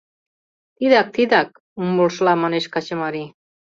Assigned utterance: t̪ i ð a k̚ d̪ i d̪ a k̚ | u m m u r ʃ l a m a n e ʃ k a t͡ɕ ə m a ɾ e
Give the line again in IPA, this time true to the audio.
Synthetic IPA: t̪ i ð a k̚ t̪ i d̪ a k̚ | u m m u l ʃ l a m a n e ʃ k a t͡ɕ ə m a ɾ i

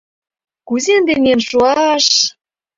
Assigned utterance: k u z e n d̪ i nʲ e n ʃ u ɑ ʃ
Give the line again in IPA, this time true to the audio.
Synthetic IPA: k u z e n d̪ e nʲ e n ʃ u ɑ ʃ

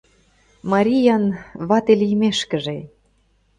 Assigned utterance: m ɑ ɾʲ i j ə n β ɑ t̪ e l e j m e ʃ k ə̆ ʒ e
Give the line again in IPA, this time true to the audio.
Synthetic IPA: m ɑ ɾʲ i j ɑ n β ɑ t̪ e l i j m e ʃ k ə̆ ʒ e

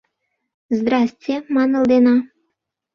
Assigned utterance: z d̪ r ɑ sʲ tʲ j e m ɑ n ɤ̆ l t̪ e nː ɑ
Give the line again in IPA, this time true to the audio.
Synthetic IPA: z d̪ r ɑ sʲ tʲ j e m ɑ n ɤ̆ l d̪ e n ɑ

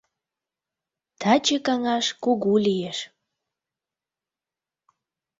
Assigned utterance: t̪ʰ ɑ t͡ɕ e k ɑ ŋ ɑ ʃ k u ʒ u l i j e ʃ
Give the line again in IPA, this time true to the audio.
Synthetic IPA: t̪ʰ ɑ t͡ɕ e k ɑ ŋ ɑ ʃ k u ɣ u l i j e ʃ

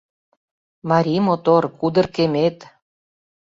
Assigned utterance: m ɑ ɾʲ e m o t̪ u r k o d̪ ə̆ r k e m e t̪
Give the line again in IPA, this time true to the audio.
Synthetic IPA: m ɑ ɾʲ i m o t̪ o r k u d̪ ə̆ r k e m e t̪

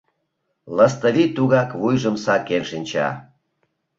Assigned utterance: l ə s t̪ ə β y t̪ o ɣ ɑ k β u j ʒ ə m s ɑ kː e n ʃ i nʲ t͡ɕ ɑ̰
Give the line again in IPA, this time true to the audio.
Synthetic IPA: l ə s t̪ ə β i t̪ u ɣ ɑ k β u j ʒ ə m s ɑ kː e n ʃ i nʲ t͡ɕ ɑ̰

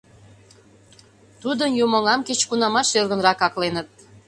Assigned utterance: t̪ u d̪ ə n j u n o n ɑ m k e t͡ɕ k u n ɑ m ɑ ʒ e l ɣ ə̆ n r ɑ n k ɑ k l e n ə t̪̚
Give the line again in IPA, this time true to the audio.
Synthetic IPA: t̪ u d̪ ə n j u m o ŋ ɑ m k e t͡ɕ k u n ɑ m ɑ ʃ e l ɣ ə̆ n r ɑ k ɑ k l e n ə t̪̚

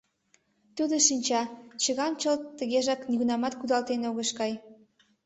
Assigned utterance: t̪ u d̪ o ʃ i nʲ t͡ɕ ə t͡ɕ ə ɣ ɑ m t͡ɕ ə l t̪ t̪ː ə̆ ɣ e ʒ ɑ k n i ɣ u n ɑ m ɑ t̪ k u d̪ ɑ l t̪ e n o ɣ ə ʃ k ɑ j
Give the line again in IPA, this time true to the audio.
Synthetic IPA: t̪ u d̪ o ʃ i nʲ t͡ɕ ɑ t͡ɕ ə ɣ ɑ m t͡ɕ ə l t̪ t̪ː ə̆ ɣ e ʒ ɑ k n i ɣ u n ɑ m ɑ t̪ k u d̪ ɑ l t̪ e n o ɣ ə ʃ k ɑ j

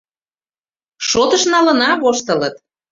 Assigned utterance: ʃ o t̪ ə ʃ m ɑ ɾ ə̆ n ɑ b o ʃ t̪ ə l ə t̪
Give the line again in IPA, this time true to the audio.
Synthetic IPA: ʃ o t̪ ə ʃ n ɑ l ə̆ n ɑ β o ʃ t̪ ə l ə t̪

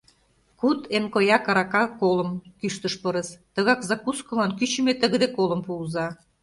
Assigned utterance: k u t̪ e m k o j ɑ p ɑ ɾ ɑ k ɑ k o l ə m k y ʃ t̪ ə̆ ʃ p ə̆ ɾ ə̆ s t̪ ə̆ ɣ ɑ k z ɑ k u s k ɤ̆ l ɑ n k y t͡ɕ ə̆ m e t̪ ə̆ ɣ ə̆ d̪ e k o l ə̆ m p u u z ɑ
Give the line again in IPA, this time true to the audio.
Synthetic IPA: k u t̪ e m k o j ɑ k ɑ ɾ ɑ k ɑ k o l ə m k y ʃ t̪ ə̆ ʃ p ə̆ ɾ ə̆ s t̪ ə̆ ɣ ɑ k z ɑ k u s k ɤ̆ l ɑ n k y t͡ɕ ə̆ m e t̪ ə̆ ɣ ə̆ d̪ e k o l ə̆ m p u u z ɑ

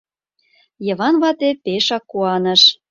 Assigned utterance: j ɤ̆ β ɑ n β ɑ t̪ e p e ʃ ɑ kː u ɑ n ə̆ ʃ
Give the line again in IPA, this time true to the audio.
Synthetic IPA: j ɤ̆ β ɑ n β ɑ t̪ e p e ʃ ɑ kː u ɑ n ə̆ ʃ

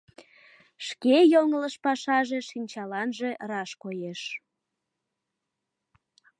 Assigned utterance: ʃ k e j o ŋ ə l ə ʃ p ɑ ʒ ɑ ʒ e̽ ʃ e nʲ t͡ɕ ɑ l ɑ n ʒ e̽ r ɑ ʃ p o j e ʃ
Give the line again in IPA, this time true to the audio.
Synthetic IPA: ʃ k e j o ŋ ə l ə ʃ p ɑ ʃ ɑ ʒ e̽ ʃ i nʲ t͡ɕ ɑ l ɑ n ʒ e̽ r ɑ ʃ k o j e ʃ

